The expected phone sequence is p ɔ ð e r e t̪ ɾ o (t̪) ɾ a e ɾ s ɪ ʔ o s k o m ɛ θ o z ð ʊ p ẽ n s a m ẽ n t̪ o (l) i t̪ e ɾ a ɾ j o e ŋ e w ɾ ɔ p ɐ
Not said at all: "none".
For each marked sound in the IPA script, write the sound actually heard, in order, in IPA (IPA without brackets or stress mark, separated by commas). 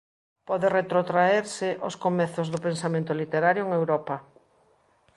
t̪, l